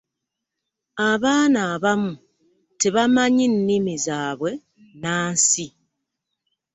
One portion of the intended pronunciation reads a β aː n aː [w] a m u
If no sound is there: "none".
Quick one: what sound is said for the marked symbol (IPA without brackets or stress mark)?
β